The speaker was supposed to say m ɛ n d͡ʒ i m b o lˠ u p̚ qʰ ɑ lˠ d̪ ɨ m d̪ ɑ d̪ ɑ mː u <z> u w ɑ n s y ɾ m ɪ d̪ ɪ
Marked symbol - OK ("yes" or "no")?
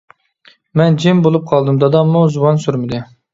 yes